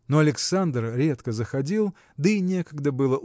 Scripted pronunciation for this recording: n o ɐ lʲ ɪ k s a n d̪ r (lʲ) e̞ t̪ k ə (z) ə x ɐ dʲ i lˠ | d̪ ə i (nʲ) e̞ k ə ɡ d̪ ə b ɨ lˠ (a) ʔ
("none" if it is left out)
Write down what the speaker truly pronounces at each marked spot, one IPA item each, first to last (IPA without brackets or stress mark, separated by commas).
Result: ɾʲ, z, nʲ, ə